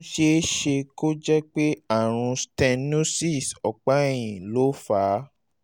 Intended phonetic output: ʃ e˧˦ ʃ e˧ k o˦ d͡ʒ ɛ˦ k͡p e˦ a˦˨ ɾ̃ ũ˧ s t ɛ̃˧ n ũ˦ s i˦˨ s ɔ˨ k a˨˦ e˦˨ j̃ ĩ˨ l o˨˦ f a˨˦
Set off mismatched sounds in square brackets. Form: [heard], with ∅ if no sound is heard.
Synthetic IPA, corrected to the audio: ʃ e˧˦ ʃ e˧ k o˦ d͡ʒ ɛ˦ k͡p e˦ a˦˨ ɾ̃ ũ˧ s t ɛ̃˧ n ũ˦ s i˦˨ s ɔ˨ [k͡p] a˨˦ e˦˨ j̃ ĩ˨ l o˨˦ f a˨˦